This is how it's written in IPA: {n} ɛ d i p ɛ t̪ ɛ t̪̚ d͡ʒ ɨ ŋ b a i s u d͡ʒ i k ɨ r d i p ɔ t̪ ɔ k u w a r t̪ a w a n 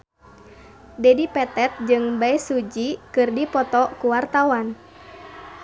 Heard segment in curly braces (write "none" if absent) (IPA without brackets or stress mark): d